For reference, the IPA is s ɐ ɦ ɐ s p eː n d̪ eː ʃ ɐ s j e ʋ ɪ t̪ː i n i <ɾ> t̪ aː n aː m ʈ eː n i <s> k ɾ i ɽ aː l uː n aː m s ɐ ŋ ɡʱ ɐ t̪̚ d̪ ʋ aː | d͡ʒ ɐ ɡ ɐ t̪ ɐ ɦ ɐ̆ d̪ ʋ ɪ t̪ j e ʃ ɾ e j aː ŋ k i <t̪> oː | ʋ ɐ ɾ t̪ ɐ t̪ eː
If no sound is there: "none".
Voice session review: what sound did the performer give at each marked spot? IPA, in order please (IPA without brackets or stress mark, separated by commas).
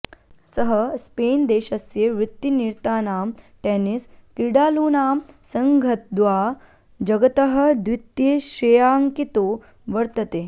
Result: ɾ, s, t̪